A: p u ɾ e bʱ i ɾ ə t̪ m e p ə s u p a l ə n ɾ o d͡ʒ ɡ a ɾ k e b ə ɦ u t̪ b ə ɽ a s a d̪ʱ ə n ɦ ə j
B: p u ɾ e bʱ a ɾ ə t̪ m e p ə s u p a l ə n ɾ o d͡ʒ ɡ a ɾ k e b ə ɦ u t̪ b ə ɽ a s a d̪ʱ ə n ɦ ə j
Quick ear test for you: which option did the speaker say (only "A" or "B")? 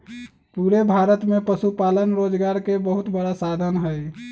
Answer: B